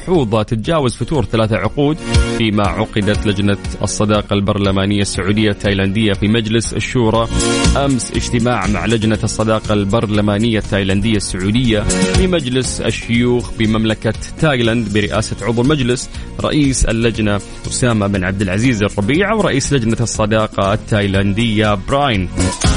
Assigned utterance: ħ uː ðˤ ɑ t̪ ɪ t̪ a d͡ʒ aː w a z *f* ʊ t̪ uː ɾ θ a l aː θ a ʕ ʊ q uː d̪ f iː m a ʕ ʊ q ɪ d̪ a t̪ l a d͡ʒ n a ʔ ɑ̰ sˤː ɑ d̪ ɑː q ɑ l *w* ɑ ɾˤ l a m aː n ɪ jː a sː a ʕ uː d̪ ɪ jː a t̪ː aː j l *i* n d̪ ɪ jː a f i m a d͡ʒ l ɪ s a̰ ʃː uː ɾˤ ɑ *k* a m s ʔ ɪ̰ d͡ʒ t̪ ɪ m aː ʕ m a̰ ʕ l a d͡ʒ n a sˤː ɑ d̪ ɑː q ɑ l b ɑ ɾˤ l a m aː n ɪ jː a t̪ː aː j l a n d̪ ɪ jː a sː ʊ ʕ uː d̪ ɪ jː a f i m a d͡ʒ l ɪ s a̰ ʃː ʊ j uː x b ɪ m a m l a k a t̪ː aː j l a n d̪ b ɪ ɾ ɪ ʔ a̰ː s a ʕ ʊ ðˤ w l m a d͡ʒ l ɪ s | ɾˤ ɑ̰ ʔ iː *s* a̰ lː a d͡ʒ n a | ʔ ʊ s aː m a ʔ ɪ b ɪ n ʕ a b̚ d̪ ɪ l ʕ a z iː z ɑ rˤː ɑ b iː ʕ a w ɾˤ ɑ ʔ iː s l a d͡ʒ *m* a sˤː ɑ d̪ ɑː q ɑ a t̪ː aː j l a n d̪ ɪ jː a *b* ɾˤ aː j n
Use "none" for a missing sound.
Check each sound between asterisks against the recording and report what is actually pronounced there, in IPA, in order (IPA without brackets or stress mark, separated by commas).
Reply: f, b, a, ʔ, s, n, b